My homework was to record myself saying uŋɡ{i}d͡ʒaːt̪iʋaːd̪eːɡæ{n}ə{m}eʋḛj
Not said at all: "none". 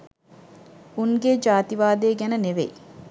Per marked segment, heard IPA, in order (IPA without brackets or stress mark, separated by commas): e, n, n